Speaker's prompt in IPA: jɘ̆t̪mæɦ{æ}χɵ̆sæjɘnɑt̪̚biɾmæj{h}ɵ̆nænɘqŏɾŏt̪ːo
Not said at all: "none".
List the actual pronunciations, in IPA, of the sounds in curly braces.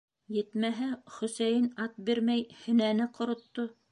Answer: æ, h

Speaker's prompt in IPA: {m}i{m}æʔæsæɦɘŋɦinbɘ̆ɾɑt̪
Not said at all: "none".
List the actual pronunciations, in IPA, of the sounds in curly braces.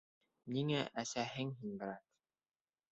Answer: n, ŋ

